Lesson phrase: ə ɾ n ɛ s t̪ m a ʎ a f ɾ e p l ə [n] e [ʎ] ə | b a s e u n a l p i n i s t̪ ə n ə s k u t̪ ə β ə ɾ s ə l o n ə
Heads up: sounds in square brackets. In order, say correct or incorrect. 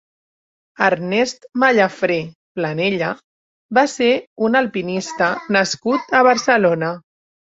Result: correct, correct

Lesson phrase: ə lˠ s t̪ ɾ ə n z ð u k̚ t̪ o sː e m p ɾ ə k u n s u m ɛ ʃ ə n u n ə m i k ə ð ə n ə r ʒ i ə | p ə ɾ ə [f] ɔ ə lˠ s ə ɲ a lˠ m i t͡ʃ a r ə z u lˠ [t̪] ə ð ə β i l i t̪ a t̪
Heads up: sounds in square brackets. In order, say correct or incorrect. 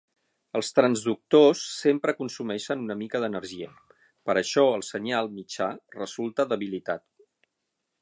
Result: incorrect: ʃ, correct

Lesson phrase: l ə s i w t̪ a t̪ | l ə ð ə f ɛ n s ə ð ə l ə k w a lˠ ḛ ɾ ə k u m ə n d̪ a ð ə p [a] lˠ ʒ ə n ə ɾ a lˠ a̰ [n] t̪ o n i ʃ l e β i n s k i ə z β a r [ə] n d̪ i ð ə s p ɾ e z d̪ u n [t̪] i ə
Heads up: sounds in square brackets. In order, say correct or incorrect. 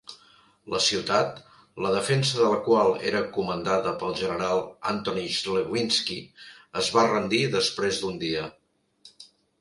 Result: incorrect: ə, correct, correct, incorrect: d̪

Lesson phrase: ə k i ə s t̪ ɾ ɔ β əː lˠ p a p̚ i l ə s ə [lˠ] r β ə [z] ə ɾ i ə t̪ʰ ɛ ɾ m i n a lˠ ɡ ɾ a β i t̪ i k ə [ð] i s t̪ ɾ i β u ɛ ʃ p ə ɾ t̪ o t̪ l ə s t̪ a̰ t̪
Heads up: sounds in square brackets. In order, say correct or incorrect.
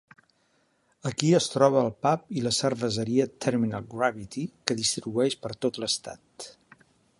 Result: incorrect: none, correct, correct

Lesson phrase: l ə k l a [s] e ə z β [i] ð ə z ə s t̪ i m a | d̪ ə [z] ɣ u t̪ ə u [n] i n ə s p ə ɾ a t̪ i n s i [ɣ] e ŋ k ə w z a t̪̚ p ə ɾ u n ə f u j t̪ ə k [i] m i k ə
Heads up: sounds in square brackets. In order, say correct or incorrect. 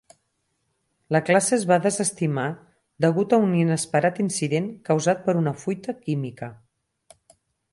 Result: correct, incorrect: a, incorrect: none, correct, incorrect: ð, correct

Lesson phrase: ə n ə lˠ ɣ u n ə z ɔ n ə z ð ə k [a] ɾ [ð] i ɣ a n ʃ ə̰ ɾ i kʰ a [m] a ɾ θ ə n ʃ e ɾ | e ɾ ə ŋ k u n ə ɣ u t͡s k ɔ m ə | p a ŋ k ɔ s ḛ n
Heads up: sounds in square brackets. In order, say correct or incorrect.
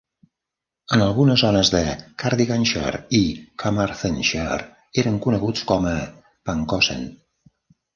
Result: correct, correct, correct

